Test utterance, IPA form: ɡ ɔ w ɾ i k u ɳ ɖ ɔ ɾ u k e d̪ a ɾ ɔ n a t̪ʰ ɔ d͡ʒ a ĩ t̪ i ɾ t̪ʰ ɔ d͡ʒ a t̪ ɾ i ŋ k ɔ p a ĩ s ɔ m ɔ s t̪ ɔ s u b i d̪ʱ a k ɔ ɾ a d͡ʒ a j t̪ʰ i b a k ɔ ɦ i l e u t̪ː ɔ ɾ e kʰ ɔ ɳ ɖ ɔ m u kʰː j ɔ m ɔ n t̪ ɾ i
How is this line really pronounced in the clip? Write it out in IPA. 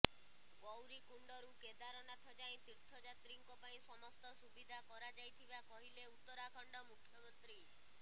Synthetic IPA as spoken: ɡ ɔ w ɾ i k u ɳ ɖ ɔ ɾ u k e d̪ a ɾ ɔ n a t̪ʰ ɔ d͡ʒ a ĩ t̪ i ɾ t̪ʰ ɔ d͡ʒ a t̪ ɾ i ŋ k ɔ p a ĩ s ɔ m ɔ s t̪ ɔ s u b i d̪ʱ a k ɔ ɾ a d͡ʒ a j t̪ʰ i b a k ɔ ɦ i l e u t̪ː ɔ ɾ a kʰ ɔ ɳ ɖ ɔ m u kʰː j ɔ m ɔ n t̪ ɾ i